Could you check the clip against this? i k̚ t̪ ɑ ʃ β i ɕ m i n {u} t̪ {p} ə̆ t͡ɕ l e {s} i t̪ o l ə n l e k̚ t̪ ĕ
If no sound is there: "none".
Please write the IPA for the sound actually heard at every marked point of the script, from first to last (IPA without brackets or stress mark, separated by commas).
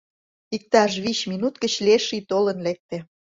u, k, ʃ